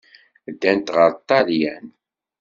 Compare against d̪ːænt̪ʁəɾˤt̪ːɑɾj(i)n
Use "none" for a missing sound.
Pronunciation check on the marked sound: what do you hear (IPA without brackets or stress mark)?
æ